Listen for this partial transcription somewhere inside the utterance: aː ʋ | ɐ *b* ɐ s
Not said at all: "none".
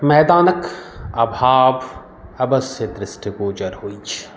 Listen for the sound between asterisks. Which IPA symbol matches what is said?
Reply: b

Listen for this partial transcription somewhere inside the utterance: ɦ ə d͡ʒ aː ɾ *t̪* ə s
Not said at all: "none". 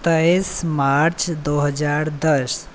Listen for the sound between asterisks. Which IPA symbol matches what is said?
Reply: d̪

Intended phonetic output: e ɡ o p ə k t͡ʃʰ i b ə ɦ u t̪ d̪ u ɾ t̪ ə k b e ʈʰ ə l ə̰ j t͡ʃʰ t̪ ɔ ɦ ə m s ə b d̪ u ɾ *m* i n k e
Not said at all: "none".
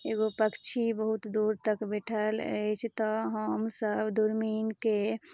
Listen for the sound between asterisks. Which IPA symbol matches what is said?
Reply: m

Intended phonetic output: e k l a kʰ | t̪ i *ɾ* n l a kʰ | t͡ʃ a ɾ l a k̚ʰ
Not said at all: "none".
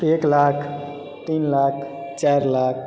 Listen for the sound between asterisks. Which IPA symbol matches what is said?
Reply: none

